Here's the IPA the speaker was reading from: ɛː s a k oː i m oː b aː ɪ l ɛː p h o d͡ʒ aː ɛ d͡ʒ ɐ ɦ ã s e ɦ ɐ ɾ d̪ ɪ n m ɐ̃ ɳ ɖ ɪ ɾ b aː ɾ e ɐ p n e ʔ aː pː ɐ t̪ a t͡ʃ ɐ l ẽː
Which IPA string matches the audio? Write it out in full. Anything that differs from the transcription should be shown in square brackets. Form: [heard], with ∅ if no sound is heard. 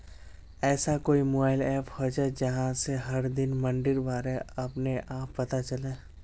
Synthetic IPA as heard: ɛː s a k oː i m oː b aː ɪ l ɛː p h o d͡ʒ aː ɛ d͡ʒ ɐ ɦ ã s e ɦ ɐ ɾ d̪ ɪ n m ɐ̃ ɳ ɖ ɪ ɾ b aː ɾ e ɐ p n e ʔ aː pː ɐ t̪ a t͡ʃ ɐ l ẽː